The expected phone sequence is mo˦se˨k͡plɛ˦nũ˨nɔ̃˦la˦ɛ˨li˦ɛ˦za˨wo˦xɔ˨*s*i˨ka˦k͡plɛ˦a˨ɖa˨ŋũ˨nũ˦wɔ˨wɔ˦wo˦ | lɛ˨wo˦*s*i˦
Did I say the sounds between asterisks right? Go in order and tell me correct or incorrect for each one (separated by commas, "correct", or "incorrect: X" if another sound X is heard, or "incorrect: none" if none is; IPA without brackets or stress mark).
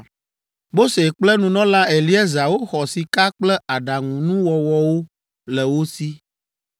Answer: correct, correct